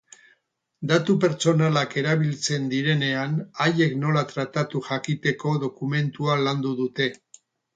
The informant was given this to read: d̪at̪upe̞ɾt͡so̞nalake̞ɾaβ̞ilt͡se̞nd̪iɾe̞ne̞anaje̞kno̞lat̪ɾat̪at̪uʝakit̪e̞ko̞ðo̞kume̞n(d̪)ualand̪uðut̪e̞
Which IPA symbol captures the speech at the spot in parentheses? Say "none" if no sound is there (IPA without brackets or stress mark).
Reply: t̪